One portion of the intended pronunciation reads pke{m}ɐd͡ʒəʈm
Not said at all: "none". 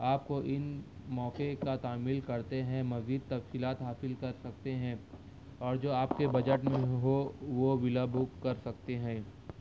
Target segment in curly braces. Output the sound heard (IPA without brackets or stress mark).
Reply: b